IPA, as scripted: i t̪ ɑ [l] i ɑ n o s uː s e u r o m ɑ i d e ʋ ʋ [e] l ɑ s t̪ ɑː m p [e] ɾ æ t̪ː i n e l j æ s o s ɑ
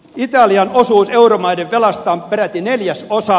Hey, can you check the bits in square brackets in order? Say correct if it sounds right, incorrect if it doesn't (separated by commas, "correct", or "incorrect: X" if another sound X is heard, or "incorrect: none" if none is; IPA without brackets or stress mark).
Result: correct, correct, correct